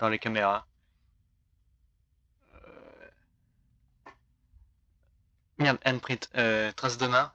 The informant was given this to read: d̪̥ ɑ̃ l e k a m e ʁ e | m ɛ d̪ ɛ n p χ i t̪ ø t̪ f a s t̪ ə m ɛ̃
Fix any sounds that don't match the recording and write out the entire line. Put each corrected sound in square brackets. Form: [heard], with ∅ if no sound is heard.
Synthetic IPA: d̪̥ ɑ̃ l e k a m e ʁ [a] | m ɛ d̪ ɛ n p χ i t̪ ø t̪ [χ] a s [d̪] ə m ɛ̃